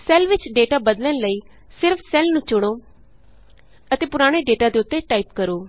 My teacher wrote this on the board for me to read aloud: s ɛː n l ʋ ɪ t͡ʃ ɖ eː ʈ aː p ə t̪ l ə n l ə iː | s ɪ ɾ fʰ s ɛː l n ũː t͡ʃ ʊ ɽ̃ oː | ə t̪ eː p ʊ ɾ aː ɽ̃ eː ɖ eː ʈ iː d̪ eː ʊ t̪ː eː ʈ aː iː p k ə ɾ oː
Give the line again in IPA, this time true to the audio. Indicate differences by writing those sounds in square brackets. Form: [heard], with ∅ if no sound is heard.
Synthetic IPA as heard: s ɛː [∅] l ʋ ɪ t͡ʃ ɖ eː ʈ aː [b] ə [d̪] l ə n l ə iː | s ɪ ɾ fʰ s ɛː l n ũː t͡ʃ ʊ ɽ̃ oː | ə t̪ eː p ʊ ɾ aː ɽ̃ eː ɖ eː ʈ [aː] d̪ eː ʊ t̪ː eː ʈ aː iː p k ə ɾ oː